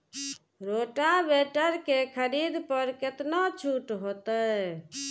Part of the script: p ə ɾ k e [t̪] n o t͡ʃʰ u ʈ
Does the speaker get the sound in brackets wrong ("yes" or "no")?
no